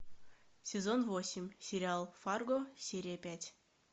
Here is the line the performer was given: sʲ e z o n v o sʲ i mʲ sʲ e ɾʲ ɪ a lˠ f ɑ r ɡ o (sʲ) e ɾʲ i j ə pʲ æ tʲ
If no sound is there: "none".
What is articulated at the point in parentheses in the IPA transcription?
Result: sʲ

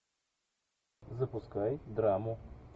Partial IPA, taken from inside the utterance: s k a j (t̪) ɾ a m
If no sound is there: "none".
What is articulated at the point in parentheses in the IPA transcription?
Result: d̪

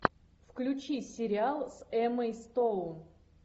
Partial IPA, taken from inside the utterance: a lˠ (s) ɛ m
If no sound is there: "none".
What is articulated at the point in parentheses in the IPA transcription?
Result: s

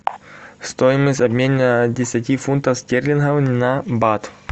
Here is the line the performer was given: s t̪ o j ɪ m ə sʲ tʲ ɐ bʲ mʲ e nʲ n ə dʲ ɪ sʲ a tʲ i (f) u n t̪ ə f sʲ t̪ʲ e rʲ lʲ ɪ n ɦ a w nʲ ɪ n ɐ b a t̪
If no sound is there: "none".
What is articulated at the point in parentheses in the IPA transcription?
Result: f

